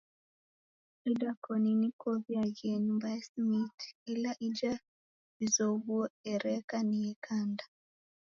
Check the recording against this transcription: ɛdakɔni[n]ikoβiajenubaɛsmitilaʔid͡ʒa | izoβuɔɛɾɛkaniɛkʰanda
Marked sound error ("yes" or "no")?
no